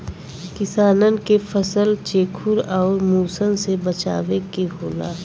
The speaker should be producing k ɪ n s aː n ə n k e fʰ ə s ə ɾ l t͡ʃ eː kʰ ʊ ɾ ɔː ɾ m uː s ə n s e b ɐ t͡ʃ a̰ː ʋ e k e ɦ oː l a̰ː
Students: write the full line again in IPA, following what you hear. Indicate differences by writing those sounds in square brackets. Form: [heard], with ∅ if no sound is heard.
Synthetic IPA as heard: k ɪ [∅] s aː n ə n k e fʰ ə s ə [∅] l t͡ʃ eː kʰ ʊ ɾ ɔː ɾ m uː s ə n s e b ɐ t͡ʃ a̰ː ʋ e k e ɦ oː l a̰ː